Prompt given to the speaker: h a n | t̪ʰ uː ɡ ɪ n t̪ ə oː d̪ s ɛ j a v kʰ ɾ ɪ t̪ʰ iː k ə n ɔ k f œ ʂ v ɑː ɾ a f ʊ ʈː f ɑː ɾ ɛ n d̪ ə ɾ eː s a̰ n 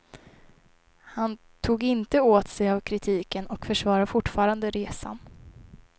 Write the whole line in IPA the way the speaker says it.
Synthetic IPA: h a n | t̪ʰ uː ɡ ɪ n t̪ ə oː t̪ s ɛ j a v kʰ ɾ ɪ t̪ʰ iː k ə n ɔ k f œ ʂ v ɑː ɾ a f ʊ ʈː f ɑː ɾ a n d̪ ə ɾ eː s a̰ n